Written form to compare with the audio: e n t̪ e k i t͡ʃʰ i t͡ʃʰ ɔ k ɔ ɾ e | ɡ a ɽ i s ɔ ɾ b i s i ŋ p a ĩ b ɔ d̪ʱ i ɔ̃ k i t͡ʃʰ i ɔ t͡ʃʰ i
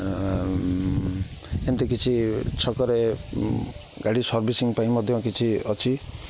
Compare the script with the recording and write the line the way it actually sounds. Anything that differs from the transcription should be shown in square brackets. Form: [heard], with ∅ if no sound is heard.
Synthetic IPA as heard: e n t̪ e k i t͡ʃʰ i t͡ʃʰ ɔ k ɔ ɾ e | ɡ a ɽ i s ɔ ɾ b i s i ŋ p a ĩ [m] ɔ d̪ʱ [j] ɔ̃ k i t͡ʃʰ i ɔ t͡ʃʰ i